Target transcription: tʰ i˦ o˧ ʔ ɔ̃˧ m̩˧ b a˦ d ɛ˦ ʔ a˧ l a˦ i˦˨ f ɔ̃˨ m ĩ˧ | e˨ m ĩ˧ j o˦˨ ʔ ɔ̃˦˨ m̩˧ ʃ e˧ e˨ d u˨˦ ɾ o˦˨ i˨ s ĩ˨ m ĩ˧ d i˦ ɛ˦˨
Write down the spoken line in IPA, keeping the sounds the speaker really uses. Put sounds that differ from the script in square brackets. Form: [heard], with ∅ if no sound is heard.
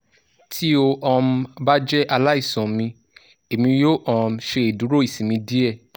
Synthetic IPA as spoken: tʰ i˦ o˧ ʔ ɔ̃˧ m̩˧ b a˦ [d͡ʒ] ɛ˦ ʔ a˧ l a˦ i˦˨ [s] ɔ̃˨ m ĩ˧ | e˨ m ĩ˧ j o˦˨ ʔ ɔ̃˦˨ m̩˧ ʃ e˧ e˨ d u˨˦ ɾ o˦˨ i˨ s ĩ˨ m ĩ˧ d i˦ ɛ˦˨